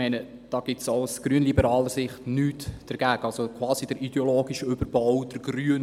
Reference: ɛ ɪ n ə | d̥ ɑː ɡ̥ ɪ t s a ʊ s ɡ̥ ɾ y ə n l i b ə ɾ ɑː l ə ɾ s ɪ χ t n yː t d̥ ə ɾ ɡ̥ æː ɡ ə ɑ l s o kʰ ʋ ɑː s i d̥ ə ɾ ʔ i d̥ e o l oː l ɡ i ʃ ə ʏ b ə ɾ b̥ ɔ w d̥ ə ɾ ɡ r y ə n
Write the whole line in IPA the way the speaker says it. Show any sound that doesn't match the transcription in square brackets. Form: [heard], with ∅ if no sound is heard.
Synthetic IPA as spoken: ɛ ɪ n ə | d̥ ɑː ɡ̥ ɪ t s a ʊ s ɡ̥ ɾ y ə n l i b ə ɾ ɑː l ə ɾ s ɪ χ t n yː t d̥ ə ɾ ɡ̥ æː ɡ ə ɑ l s o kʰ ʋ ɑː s i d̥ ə ɾ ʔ i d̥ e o l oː [∅] ɡ i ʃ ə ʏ b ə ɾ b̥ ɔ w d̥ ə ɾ ɡ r y ə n